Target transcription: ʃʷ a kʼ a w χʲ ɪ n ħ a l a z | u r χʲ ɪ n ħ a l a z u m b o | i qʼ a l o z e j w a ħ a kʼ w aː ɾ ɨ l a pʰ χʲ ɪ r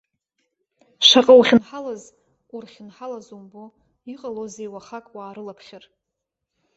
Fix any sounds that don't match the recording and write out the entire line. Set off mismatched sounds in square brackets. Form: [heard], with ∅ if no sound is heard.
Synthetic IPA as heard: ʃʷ a [qʼ] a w χʲ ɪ n ħ a l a z | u r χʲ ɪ n ħ a l a z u m b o | i qʼ a l o z e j w a [χ] a kʼ w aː ɾ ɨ l a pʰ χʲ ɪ r